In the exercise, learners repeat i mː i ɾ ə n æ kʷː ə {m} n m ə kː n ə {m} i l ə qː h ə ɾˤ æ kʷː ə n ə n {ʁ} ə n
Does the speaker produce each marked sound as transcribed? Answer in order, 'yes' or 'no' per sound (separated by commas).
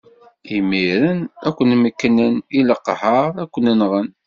no, no, yes